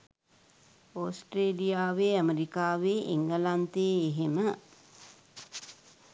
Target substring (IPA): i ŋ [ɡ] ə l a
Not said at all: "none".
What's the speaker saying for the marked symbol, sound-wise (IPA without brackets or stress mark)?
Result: ɡ